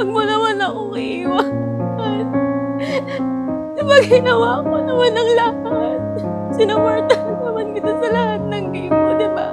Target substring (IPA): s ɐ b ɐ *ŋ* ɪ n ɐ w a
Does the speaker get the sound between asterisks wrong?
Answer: yes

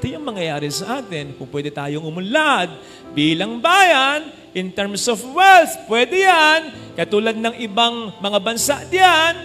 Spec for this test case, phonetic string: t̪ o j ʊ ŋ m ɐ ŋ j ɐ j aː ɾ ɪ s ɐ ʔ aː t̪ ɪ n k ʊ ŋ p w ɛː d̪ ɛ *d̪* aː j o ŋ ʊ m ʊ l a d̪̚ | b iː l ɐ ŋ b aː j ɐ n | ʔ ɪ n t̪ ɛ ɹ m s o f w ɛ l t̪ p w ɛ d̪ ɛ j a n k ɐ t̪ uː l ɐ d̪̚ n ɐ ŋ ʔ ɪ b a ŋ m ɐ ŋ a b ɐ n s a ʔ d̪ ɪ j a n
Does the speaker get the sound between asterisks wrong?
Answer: yes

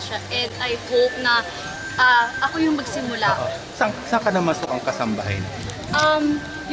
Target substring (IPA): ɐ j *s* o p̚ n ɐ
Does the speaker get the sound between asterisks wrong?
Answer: yes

